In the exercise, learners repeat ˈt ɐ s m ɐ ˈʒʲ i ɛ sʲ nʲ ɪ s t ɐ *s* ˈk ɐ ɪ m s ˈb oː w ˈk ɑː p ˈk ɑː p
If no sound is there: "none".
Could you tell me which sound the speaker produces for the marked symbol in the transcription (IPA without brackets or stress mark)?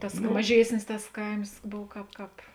s